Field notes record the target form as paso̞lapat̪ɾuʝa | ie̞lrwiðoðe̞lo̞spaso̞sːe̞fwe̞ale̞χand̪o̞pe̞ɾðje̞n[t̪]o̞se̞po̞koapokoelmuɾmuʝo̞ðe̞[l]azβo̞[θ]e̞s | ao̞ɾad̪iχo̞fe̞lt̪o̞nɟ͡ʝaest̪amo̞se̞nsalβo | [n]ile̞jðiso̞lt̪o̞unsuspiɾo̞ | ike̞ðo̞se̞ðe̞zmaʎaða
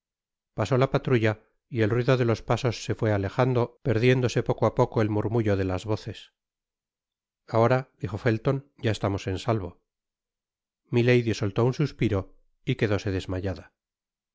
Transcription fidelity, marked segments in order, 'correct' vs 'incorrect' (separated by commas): incorrect, correct, correct, incorrect